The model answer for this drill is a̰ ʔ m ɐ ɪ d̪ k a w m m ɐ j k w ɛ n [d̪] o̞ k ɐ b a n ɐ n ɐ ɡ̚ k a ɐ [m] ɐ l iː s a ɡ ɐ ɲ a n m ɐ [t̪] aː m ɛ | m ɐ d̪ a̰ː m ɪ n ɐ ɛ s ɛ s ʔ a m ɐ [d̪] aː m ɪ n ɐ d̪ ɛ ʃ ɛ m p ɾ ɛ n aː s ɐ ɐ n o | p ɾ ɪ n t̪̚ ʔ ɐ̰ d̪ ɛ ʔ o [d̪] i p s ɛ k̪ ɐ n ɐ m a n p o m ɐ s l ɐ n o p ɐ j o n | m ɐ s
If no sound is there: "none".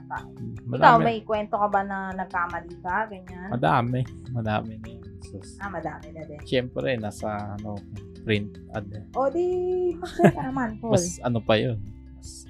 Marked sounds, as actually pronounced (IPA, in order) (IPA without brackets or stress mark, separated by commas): t̪, m, d̪, d̪, d̪